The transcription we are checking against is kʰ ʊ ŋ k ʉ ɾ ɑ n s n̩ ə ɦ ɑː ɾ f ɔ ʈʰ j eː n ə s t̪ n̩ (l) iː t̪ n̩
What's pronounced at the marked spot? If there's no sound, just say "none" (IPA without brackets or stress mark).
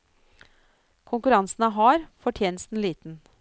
l